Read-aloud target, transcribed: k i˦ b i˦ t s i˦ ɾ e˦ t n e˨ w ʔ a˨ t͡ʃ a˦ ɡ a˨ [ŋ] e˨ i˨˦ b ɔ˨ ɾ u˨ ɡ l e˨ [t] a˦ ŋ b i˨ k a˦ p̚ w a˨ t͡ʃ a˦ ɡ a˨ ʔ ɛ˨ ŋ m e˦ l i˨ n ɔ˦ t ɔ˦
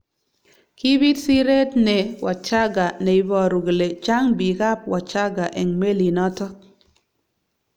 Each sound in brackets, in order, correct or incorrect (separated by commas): incorrect, incorrect